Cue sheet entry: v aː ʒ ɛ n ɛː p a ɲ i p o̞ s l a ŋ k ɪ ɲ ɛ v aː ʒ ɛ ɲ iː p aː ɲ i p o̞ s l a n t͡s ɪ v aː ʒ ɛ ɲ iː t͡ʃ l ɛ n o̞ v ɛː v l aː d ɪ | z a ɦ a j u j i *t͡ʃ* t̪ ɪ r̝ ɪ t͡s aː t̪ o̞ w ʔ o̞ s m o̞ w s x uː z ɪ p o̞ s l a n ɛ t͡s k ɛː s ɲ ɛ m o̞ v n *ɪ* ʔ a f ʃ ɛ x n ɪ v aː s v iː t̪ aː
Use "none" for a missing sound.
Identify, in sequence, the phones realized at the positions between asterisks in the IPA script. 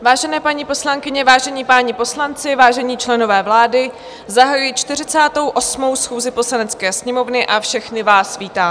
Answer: t͡ʃ, ɪ

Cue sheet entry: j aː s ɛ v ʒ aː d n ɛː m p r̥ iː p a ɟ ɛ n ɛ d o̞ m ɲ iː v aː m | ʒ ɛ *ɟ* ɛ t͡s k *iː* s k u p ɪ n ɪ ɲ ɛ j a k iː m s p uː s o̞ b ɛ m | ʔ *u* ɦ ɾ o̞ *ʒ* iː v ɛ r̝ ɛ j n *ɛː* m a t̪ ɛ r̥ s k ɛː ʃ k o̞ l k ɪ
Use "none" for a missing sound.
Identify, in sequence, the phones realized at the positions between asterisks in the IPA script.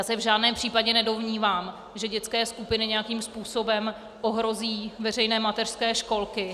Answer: ɟ, ɛː, o, z, ɛː

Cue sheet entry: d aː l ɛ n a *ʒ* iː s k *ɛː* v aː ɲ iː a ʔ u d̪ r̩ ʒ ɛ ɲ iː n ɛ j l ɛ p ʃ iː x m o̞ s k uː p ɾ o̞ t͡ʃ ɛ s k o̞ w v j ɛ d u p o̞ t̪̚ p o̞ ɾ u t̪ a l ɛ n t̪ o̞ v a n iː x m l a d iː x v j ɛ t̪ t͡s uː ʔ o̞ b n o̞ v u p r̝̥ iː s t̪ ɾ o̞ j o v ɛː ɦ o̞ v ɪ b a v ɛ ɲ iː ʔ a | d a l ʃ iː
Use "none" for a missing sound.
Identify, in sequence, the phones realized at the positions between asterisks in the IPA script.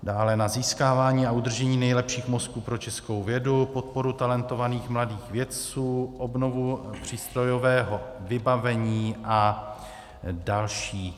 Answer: z, aː

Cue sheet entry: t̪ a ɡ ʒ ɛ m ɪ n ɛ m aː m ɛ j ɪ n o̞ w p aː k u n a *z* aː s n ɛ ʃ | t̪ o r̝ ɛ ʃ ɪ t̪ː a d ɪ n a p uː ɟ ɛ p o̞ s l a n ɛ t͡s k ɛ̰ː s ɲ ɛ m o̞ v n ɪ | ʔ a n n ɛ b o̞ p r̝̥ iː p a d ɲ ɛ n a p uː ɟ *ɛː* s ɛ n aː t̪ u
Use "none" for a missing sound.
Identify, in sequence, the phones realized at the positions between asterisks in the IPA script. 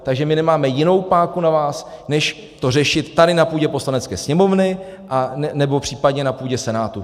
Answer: v, ɛ

